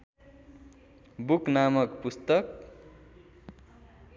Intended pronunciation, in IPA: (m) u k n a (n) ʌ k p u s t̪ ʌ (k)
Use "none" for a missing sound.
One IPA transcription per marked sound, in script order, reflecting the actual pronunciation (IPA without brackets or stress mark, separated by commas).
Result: b, m, k